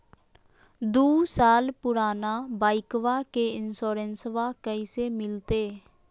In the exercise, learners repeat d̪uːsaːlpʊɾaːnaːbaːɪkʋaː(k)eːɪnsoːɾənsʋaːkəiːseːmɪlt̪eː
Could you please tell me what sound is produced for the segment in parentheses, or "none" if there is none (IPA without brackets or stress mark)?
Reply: k